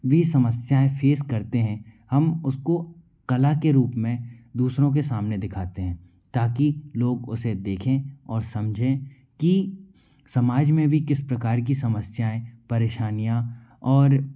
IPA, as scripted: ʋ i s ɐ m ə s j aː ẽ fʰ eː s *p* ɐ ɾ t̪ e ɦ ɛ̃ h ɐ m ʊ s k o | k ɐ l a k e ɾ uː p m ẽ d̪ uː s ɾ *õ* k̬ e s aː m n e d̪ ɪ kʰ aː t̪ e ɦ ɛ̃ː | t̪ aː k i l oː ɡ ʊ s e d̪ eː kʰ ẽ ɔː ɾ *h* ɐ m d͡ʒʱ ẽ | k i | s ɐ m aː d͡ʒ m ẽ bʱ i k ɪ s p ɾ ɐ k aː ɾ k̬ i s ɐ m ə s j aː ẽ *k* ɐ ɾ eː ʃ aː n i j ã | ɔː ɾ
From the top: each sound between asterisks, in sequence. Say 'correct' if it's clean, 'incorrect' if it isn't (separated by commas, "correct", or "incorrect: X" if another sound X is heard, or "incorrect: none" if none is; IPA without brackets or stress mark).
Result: incorrect: k, correct, incorrect: s, incorrect: p